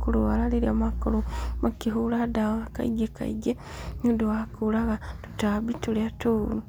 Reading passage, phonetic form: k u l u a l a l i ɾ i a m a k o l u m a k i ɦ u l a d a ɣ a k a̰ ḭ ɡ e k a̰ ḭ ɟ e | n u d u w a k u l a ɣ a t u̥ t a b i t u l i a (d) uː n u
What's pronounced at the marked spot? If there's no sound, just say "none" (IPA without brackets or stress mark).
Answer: t